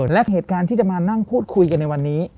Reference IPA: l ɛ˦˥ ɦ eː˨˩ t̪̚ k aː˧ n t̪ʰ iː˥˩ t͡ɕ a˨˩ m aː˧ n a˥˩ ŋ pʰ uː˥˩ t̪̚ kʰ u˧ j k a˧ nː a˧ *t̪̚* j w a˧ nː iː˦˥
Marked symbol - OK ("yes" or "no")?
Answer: no